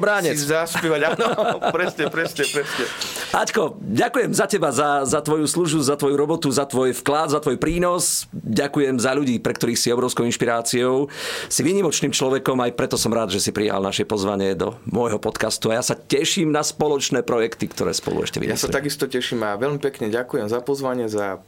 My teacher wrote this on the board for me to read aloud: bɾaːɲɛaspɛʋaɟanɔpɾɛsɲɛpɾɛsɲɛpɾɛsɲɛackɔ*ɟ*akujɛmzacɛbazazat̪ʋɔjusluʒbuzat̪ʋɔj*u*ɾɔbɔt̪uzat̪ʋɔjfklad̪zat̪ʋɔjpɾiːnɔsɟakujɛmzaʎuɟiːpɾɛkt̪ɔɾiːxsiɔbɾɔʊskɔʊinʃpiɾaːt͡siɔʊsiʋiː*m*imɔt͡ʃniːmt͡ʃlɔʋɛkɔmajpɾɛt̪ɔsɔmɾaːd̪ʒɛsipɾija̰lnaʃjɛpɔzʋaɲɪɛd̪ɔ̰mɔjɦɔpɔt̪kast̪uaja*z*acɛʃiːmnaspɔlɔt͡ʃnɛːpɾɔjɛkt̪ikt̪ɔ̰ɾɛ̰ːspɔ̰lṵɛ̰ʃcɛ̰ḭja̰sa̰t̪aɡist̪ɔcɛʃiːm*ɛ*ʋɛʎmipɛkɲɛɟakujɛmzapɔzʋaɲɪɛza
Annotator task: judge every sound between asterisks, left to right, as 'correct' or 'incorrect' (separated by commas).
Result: correct, correct, incorrect, incorrect, incorrect